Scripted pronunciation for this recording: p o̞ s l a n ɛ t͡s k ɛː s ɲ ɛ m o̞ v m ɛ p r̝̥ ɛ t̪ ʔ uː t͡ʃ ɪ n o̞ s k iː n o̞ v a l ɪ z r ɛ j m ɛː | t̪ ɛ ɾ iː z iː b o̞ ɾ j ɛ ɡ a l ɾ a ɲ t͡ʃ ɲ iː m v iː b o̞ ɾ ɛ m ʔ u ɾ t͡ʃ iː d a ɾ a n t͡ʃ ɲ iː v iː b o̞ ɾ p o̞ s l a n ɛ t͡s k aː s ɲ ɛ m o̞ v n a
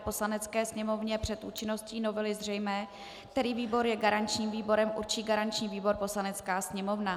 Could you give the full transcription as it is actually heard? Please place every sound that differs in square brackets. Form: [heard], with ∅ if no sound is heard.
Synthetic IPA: p o̞ s l a n ɛ t͡s k ɛː s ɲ ɛ m o̞ v [ɲ] ɛ p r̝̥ ɛ t̪ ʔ uː t͡ʃ ɪ n o̞ s [c] iː n o̞ v [ɛ] l ɪ z r ɛ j m ɛː | t̪ ɛ ɾ iː [v] iː b o̞ ɾ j ɛ ɡ a [∅] ɾ a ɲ t͡ʃ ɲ iː m v iː b o̞ ɾ ɛ m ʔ u ɾ t͡ʃ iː [ɡ] a ɾ a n t͡ʃ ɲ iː v iː b o̞ ɾ p o̞ s l a n ɛ t͡s k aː s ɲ ɛ m o̞ v n a